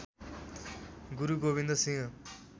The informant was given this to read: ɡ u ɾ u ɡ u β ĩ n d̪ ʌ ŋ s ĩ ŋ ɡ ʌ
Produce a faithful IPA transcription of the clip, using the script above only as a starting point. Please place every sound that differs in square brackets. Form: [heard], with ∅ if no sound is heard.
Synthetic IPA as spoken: ɡ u ɾ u ɡ [o] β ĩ n d̪ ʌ [∅] s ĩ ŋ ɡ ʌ